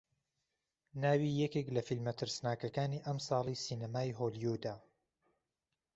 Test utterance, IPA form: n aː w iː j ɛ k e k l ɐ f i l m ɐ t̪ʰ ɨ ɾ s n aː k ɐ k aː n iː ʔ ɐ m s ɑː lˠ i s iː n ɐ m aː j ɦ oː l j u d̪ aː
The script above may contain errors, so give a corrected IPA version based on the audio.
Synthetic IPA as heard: n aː w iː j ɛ k e k l ɐ f i l m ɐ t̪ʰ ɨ ɾ s n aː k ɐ k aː n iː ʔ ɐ m s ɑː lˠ i s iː n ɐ m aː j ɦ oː l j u d̪ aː